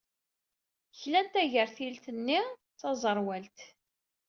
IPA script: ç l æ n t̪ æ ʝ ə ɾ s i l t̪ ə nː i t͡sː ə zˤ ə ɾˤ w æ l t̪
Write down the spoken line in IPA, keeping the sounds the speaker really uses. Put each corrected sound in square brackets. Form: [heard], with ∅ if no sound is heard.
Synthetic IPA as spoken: ç l æ n t̪ æ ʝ ə ɾ [θ] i l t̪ ə nː i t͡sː [ɑ] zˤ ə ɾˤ w æ l t̪